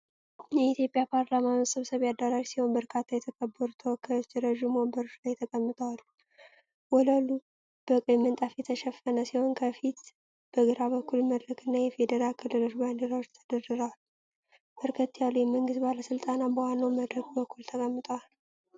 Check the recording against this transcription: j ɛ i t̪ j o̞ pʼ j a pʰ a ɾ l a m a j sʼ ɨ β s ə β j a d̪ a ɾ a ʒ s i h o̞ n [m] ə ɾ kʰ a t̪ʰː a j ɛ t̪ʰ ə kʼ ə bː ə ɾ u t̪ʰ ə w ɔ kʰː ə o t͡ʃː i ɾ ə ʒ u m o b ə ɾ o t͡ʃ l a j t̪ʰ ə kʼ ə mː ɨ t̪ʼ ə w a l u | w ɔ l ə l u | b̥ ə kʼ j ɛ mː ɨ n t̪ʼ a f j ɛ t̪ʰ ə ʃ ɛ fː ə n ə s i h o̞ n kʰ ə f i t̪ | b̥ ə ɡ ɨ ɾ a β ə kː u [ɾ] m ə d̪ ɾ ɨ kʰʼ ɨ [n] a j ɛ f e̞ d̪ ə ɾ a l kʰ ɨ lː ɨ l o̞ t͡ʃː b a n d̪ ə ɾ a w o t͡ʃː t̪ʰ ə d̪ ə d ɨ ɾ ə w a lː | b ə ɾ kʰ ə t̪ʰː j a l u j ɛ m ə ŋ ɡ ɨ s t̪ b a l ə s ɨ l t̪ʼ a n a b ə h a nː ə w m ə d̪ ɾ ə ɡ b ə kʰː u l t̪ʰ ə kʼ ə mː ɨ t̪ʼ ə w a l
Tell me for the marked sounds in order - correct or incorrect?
incorrect: b, incorrect: l, incorrect: nː

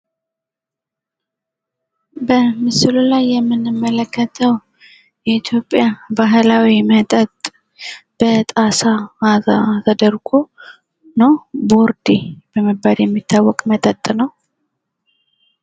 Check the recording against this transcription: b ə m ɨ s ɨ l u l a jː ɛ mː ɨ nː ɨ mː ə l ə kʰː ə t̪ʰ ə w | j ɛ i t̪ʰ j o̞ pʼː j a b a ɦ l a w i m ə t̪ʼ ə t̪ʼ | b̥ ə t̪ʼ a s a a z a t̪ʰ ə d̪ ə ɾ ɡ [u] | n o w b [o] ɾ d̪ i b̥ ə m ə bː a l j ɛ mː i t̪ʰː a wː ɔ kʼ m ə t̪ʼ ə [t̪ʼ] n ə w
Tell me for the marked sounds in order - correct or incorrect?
incorrect: o, correct, correct

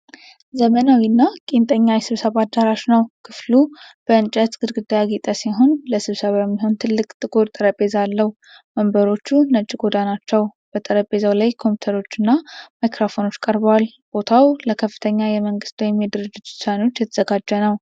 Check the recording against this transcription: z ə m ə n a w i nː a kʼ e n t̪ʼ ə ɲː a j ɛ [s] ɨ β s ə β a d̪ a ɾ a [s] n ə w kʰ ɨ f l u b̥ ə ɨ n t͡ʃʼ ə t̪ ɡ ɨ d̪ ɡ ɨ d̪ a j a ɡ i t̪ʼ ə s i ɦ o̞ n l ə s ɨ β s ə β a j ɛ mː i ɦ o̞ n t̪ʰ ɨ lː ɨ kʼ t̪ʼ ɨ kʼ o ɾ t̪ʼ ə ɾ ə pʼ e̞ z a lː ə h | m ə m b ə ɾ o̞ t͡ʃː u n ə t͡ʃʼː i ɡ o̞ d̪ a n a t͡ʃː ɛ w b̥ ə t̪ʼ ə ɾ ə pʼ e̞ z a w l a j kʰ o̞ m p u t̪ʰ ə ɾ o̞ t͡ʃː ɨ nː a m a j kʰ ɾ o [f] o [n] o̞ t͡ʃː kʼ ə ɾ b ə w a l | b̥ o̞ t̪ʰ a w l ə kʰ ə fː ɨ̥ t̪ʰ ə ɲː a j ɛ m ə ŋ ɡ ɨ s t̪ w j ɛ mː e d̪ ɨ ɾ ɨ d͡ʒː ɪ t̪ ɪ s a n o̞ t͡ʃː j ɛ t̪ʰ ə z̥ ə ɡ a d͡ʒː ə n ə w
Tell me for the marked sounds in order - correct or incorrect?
correct, incorrect: ʃ, correct, correct

